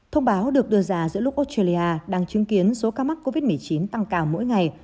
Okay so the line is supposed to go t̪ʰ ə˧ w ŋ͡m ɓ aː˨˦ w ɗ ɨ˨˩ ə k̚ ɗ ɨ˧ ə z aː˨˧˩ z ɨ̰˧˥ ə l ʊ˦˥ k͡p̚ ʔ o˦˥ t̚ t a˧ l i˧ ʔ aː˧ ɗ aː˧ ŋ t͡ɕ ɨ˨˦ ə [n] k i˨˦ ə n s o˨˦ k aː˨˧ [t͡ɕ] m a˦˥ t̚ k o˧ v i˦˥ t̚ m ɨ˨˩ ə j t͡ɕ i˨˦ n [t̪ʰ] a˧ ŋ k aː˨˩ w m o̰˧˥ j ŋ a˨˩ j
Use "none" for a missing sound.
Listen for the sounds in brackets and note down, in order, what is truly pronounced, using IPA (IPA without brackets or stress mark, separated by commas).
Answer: ŋ, none, t̪